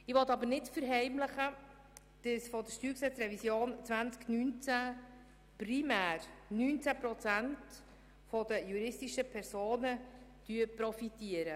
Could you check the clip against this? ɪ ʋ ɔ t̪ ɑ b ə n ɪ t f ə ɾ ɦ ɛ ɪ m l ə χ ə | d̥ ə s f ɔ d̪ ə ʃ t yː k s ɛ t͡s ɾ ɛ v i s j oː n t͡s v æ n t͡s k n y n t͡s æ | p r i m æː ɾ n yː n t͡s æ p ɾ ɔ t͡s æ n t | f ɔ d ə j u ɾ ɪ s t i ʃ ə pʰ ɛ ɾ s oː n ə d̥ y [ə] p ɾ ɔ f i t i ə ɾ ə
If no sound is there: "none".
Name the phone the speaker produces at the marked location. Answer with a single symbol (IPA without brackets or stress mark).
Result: ə